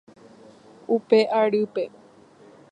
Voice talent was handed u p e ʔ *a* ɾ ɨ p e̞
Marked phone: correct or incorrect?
correct